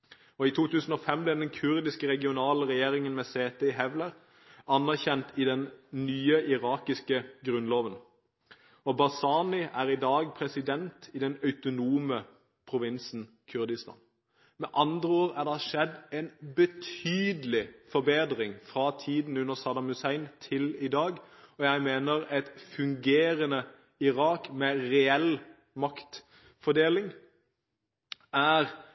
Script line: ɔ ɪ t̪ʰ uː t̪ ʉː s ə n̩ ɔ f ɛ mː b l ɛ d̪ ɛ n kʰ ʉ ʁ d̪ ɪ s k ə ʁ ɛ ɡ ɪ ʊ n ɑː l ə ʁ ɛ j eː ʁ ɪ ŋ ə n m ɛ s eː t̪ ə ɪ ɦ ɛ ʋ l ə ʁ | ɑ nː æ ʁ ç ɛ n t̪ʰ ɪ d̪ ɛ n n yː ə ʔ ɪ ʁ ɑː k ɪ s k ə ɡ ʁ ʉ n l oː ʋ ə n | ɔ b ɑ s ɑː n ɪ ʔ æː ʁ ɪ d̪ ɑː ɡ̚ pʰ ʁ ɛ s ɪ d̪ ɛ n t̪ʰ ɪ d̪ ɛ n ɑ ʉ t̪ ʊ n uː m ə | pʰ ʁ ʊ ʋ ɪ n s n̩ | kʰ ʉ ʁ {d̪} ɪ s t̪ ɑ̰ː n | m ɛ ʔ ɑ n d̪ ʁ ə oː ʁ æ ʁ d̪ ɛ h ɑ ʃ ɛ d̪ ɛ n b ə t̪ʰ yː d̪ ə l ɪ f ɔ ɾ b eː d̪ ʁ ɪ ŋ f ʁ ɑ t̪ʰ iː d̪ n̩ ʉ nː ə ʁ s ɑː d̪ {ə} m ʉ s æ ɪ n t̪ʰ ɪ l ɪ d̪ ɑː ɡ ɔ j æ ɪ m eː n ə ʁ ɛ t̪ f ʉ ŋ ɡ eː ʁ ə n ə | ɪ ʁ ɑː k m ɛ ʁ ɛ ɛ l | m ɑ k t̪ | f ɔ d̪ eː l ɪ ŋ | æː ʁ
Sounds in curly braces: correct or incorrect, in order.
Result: correct, incorrect

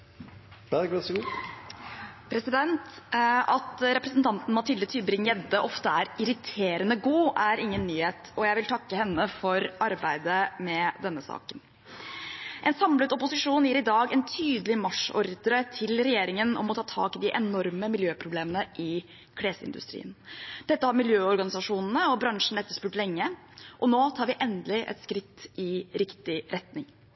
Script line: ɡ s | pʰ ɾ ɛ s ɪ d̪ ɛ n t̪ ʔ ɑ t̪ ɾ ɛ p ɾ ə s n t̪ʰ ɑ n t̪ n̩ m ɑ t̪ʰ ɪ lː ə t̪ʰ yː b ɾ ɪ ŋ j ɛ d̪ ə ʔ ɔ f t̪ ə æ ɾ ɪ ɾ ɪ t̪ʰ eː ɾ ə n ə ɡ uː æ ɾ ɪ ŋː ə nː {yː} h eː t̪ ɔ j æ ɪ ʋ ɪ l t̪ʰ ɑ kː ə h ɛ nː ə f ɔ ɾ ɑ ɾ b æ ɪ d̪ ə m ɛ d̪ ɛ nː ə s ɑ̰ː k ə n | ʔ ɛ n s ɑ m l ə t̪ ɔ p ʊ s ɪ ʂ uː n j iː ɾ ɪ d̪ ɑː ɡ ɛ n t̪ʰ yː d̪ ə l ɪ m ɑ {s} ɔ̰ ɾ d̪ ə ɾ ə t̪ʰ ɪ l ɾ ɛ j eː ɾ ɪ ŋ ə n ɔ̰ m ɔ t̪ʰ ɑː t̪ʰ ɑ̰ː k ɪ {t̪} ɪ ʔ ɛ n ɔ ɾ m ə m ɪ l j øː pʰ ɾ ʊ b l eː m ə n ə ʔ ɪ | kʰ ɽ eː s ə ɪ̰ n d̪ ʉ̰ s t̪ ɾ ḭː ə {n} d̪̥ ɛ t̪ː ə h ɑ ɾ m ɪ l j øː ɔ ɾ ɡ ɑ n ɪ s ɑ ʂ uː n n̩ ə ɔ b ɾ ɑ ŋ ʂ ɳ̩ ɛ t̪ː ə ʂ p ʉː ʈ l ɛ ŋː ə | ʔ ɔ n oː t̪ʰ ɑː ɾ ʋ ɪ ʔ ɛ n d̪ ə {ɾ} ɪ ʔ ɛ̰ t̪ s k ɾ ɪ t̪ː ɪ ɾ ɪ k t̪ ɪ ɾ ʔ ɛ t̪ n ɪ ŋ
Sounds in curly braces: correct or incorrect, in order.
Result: correct, incorrect, incorrect, correct, incorrect

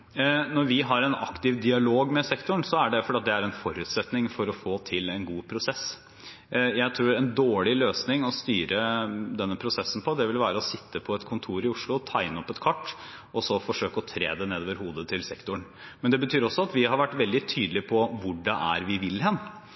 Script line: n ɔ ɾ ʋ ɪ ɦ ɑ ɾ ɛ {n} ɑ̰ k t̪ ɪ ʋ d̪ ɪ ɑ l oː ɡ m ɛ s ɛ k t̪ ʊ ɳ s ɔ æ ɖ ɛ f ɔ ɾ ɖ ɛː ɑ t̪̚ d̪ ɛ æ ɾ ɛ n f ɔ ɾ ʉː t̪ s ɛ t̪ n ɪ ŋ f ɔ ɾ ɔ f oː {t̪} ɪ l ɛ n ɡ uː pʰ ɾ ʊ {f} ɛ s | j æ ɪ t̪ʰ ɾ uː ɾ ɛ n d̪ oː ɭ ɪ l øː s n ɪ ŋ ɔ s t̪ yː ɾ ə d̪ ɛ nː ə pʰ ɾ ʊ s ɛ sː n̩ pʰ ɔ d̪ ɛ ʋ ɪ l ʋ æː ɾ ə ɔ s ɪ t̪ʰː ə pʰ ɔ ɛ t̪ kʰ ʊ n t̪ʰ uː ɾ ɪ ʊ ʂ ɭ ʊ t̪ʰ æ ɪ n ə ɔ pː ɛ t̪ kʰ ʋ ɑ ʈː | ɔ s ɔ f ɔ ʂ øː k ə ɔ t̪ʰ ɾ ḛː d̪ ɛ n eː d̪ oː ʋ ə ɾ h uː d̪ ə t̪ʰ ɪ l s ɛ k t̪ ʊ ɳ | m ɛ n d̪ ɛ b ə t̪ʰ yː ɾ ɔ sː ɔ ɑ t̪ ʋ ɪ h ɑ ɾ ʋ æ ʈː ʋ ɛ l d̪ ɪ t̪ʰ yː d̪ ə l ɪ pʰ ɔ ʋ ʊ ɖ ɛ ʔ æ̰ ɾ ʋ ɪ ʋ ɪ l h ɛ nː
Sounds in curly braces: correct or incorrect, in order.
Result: correct, incorrect, incorrect

